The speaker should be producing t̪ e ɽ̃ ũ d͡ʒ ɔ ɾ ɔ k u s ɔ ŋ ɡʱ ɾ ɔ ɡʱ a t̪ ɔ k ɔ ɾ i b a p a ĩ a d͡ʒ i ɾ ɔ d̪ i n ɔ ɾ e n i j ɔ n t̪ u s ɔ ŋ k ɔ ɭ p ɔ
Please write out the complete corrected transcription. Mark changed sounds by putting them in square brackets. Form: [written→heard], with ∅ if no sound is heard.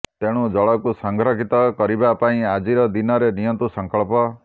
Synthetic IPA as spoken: t̪ e ɽ̃ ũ d͡ʒ ɔ [ɾ→ɭ] ɔ k u s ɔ ŋ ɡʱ ɾ ɔ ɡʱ [a→i] t̪ ɔ k ɔ ɾ i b a p a ĩ a d͡ʒ i ɾ ɔ d̪ i n ɔ ɾ e n i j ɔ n t̪ u s ɔ ŋ k ɔ ɭ p ɔ